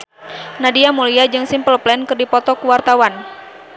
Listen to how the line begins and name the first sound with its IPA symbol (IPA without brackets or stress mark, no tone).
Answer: n